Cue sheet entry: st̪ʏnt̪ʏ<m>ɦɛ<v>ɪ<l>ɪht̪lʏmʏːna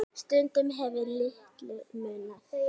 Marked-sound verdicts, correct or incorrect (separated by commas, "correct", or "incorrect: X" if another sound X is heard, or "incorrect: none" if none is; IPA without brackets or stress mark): correct, correct, correct